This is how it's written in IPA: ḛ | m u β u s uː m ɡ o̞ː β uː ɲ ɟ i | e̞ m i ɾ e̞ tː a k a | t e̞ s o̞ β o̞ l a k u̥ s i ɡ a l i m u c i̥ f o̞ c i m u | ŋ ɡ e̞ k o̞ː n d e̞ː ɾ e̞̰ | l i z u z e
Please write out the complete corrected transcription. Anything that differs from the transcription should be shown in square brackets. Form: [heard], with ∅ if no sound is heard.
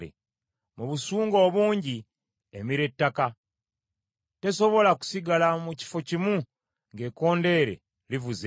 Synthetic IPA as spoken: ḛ | m u β u s uː [ŋ] ɡ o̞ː β uː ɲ ɟ i | e̞ m i ɾ e̞ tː a k a | t e̞ s o̞ β o̞ l a k u̥ s i ɡ a l [a] m u c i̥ f o̞ c i m u | ŋ ɡ e̞ k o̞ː n d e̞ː ɾ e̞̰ | l i [v] u z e